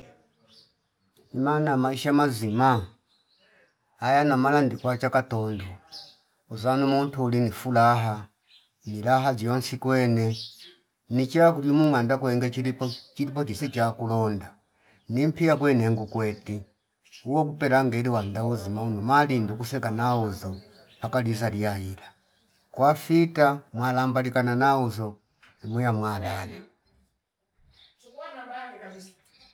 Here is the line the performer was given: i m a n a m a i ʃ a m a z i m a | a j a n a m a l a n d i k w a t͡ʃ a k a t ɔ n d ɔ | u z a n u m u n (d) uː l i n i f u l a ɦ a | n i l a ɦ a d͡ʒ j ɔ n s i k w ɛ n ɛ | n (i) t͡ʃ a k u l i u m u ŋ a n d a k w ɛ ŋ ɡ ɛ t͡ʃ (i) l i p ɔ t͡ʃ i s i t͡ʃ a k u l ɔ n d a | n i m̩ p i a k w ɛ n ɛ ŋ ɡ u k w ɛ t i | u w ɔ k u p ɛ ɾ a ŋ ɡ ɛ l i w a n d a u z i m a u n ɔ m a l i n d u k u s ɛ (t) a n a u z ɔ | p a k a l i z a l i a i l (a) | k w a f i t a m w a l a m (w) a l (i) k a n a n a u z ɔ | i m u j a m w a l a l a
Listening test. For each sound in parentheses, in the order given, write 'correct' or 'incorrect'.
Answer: incorrect: t, correct, correct, incorrect: k, correct, incorrect: b, correct

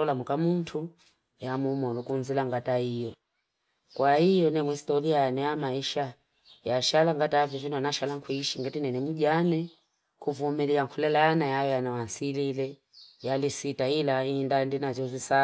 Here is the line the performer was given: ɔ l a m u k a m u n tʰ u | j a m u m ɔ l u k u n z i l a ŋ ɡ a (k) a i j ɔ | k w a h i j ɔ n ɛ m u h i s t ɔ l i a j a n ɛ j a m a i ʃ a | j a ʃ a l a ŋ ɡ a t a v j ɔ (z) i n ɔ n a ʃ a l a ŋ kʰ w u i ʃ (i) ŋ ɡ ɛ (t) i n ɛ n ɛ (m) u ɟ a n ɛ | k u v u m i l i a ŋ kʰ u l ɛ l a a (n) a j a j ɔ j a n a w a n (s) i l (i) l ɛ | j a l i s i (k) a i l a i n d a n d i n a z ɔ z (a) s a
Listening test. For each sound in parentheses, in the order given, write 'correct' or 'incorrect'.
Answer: incorrect: t, incorrect: v, correct, correct, correct, correct, correct, correct, incorrect: t, incorrect: i

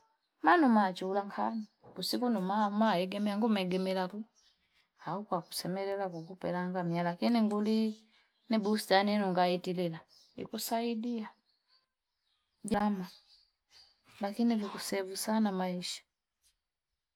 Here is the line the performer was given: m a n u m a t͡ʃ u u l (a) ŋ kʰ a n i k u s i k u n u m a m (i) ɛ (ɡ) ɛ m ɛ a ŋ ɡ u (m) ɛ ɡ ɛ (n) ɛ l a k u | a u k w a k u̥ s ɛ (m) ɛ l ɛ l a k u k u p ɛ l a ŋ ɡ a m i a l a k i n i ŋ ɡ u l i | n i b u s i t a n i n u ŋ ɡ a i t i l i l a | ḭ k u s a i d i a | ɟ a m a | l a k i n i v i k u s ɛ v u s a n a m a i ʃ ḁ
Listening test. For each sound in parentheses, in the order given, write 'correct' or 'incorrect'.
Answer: correct, incorrect: a, correct, correct, incorrect: m, correct

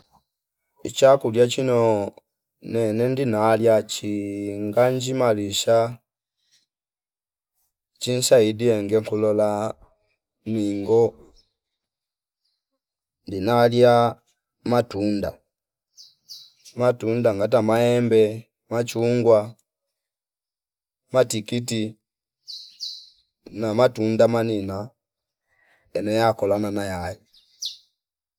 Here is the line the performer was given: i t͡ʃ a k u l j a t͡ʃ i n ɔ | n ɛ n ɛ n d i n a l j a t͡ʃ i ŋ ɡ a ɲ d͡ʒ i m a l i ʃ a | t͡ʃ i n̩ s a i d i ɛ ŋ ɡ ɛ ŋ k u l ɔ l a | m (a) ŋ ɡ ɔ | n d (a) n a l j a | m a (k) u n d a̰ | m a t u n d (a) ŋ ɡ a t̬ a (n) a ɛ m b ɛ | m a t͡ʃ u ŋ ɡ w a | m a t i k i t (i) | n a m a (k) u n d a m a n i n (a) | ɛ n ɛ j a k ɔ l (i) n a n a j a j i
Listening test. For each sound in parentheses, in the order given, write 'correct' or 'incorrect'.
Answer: incorrect: i, incorrect: i, incorrect: t, correct, incorrect: m, correct, incorrect: t, correct, incorrect: a

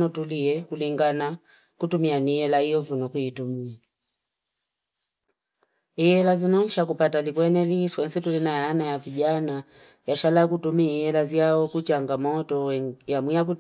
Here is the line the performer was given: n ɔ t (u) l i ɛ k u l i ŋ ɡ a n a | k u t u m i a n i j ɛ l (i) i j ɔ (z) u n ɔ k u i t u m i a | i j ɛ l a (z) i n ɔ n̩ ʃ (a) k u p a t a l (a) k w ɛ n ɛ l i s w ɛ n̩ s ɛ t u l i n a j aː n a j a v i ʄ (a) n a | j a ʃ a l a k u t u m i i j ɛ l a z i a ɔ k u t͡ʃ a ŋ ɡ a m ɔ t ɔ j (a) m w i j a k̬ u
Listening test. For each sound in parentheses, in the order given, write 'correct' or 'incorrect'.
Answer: correct, incorrect: a, incorrect: v, correct, correct, incorrect: i, correct, correct

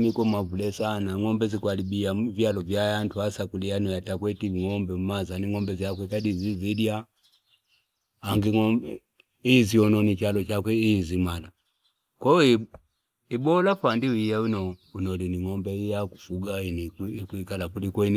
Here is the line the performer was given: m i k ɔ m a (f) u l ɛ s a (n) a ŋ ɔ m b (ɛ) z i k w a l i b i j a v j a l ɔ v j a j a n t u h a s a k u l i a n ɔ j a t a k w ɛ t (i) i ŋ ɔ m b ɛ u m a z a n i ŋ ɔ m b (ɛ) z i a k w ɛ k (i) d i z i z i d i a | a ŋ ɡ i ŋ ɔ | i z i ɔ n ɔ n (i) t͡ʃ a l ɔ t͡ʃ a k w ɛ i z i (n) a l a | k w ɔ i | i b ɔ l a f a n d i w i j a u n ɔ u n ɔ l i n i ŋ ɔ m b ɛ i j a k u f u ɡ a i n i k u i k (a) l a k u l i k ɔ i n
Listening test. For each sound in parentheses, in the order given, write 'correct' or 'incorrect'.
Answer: incorrect: v, correct, correct, correct, correct, incorrect: a, correct, incorrect: m, correct

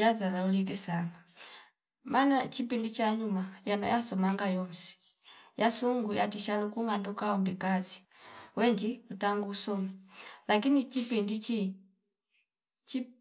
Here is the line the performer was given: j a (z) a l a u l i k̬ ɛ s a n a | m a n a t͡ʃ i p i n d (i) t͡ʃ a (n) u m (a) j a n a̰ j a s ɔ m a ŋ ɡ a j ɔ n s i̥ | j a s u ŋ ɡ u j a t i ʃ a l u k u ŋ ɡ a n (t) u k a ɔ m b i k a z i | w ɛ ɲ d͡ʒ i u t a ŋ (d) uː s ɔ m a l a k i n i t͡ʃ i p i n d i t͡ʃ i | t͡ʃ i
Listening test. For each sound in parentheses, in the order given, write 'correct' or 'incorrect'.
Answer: correct, correct, incorrect: ɲ, correct, incorrect: d, incorrect: ɡ

